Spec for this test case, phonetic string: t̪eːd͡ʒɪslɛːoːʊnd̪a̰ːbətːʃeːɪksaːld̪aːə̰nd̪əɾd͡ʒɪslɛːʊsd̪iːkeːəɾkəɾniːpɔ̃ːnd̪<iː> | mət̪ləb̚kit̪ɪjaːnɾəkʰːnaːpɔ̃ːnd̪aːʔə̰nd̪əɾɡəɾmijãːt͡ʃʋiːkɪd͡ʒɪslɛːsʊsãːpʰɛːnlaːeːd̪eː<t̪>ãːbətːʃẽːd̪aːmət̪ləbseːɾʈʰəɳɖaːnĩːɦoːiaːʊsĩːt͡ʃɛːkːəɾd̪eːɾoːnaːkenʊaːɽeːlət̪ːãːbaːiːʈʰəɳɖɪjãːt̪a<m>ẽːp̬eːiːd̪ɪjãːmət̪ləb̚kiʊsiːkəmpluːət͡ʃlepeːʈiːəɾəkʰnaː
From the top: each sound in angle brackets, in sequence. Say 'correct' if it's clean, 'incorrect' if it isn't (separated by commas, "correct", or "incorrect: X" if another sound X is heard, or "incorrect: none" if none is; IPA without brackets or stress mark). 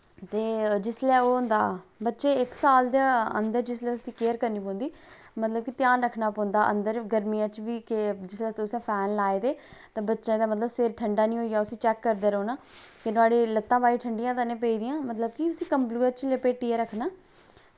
correct, correct, incorrect: n